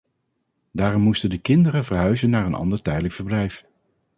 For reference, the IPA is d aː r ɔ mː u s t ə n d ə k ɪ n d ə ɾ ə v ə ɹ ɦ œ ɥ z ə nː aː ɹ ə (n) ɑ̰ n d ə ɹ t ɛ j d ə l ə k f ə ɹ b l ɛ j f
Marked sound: correct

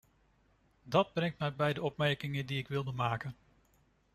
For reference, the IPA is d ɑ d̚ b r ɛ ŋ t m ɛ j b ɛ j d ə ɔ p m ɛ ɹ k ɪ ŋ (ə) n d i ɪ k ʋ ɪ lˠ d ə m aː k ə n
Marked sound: correct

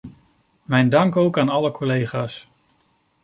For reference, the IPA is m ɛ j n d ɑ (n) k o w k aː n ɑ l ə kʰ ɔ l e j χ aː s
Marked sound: incorrect: ŋ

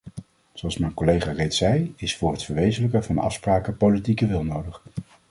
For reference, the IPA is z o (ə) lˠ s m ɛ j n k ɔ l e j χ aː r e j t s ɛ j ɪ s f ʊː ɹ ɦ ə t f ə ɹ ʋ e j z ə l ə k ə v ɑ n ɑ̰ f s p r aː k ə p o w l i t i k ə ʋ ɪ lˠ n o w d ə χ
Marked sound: incorrect: ɑ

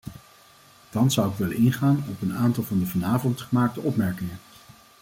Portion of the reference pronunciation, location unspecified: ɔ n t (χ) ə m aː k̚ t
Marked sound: correct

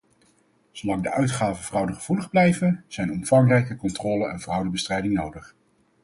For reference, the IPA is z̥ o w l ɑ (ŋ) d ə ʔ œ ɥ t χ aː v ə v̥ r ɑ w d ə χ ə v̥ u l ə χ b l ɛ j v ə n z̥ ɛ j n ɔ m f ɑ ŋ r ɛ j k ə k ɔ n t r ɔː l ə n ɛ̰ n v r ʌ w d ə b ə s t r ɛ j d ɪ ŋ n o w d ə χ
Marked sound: correct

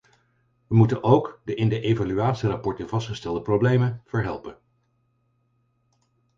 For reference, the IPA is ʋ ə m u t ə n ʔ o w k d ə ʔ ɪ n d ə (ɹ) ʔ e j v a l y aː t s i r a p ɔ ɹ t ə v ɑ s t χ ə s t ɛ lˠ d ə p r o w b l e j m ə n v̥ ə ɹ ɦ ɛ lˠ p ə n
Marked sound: incorrect: none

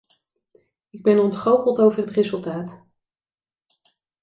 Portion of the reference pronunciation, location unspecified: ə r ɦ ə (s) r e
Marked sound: incorrect: t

